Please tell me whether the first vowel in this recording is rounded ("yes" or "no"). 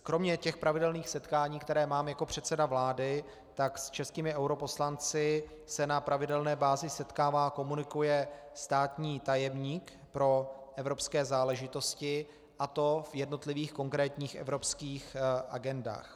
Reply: yes